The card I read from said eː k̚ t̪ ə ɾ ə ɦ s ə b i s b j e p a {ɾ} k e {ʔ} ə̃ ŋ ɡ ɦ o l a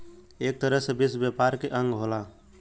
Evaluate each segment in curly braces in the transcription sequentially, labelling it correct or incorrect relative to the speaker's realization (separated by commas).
correct, correct